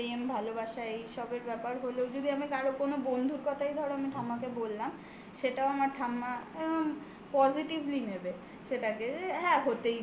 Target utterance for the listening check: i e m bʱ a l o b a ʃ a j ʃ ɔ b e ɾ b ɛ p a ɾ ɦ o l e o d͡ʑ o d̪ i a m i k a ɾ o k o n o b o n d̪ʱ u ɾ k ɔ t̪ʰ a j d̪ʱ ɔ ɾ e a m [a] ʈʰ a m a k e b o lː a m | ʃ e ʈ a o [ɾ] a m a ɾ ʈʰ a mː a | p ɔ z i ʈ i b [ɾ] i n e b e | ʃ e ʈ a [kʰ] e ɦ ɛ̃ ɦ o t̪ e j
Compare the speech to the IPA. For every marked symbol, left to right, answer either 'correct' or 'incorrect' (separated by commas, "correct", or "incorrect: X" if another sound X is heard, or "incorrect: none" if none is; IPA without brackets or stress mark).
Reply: incorrect: i, incorrect: none, incorrect: l, incorrect: k